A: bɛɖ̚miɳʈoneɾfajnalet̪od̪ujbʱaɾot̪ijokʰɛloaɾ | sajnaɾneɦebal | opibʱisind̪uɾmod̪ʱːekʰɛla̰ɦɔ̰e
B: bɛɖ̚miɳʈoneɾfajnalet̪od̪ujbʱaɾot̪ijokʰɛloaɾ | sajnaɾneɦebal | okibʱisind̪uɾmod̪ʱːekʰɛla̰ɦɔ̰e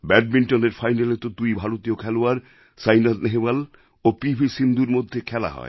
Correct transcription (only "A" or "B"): A